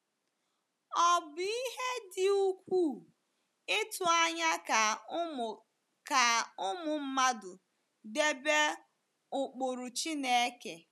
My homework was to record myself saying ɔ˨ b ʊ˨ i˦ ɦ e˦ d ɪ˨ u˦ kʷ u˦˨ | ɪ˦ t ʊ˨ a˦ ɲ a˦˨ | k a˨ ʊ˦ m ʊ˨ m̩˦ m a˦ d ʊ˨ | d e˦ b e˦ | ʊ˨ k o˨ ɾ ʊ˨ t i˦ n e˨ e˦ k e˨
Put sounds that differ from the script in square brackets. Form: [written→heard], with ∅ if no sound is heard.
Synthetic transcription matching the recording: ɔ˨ b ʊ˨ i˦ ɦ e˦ d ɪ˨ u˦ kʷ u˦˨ | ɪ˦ t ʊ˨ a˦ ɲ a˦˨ | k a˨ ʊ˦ m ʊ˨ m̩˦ m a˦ d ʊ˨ | d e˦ b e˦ | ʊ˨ [k→k͡p] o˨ ɾ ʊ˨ [t→t͡ʃ] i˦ n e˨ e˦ k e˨